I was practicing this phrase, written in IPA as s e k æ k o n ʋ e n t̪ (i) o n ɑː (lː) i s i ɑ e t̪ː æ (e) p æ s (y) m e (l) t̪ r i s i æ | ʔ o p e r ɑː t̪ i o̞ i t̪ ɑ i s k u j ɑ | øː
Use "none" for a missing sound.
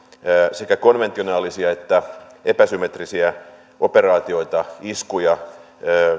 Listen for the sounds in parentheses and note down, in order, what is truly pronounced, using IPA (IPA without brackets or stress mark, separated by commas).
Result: i, l, e, y, none